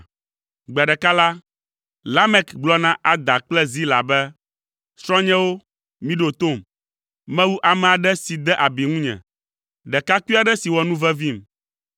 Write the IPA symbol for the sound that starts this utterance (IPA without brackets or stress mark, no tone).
ɡ͡b